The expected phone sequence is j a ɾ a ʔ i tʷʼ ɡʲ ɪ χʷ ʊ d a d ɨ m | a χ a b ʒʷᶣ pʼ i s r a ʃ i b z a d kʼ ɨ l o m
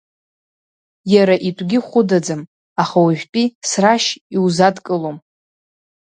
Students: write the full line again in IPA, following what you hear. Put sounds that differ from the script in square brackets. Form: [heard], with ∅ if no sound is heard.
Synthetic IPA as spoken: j a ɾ a ʔ i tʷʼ ɡʲ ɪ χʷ ʊ d a [d͡z] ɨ m | a χ a [w] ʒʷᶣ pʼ i s r a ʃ i [w] z a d kʼ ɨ l o m